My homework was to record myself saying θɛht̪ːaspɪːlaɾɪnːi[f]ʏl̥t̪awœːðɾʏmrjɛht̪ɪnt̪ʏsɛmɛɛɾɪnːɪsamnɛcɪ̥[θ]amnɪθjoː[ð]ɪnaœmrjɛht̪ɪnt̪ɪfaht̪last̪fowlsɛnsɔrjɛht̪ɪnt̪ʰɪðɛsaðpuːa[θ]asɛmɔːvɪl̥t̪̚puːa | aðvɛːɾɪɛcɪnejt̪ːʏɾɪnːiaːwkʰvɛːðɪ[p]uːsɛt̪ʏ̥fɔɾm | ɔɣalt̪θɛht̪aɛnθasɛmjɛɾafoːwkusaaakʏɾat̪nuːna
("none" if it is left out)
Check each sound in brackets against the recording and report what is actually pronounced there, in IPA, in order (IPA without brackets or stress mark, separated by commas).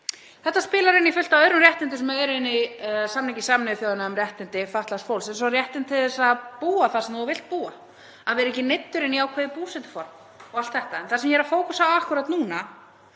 f, s, ð, θ, p